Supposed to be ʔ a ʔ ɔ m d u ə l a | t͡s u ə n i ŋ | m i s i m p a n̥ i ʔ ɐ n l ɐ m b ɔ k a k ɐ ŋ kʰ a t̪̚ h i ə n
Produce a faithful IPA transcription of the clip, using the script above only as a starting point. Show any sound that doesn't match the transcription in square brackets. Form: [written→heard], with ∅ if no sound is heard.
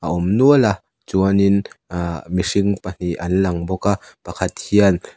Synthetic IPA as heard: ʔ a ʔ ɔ m [d→n] u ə l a | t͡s u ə n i [ŋ→n] | m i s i [m→ŋ] p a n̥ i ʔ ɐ n l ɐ [m→ŋ] b ɔ k a [k→p] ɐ [ŋ→∅] kʰ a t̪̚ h i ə n

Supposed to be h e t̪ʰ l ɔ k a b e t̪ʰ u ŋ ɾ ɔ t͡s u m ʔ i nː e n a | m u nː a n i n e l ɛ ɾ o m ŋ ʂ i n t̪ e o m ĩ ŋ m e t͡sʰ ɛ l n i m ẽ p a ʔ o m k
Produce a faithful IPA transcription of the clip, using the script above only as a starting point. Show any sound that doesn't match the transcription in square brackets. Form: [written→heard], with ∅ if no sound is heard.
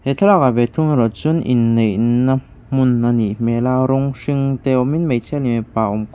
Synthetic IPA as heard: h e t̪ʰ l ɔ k a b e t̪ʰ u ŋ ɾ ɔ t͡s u [m→n] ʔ i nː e n a | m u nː a n i [n→m] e l [ɛ→a] ɾ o [m→∅] ŋ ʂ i [n→ŋ] t̪ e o m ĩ [ŋ→n] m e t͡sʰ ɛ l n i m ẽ p a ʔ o m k

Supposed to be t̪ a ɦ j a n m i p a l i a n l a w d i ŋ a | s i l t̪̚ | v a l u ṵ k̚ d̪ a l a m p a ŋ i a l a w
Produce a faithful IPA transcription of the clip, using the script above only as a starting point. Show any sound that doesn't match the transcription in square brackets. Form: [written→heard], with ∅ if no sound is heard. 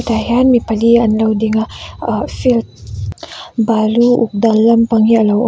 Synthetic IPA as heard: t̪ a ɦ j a n m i p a l i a n l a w d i ŋ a | [s→f] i l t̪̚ | [v→b] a l u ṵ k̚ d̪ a l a m p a ŋ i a l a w

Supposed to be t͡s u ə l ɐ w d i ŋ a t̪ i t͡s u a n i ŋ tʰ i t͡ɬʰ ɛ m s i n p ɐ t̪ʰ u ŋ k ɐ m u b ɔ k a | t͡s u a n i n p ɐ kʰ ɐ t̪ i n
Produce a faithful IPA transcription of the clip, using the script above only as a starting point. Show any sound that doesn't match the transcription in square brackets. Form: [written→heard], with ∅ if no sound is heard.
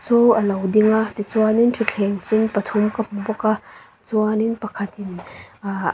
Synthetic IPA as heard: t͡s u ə l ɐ w d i ŋ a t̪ i t͡s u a n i [ŋ→n] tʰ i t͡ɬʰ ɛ [m→ŋ] s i n p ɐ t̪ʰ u [ŋ→m] k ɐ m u b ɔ k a | t͡s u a n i n p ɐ kʰ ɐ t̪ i n

